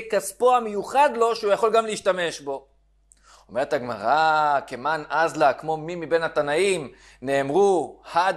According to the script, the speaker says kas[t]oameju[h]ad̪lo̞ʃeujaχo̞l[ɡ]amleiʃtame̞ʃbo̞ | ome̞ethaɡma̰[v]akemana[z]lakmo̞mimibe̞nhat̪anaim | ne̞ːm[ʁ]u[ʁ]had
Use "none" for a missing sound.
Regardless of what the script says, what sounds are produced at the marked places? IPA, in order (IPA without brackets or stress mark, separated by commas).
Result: p, χ, ɡ, ʁ, z, ʁ, none